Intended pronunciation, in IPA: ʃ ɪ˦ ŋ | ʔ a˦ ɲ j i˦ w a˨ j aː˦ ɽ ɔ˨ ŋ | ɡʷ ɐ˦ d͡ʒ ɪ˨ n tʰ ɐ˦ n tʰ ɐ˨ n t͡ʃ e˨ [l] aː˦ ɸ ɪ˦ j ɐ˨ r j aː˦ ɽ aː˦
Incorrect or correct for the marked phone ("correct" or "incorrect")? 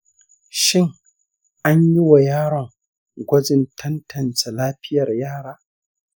correct